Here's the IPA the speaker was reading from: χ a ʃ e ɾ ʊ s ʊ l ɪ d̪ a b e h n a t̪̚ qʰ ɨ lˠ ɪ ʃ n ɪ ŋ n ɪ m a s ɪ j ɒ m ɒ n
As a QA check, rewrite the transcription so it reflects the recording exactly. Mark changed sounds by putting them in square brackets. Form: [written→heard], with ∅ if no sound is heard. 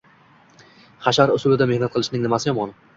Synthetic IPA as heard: χ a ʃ [e→a] ɾ ʊ s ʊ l ɪ d̪ a [b→m] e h n a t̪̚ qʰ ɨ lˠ ɪ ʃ n ɪ ŋ n ɪ m a s ɪ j ɒ m ɒ n

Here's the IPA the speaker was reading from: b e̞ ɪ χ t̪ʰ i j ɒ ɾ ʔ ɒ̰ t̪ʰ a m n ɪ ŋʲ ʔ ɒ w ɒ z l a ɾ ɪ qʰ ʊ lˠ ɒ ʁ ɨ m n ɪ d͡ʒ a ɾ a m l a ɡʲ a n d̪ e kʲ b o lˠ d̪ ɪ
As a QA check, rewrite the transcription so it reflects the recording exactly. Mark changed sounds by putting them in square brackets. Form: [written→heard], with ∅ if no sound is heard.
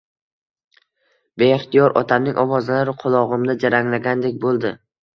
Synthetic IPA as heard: b e̞ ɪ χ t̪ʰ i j ɒ ɾ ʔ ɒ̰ t̪ʰ a m n ɪ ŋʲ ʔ ɒ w ɒ z l a ɾ ɪ qʰ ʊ lˠ ɒ ʁ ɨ m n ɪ d͡ʒ a ɾ a [m→ŋ] l a ɡʲ a n d̪ e kʲ b o lˠ d̪ ɪ

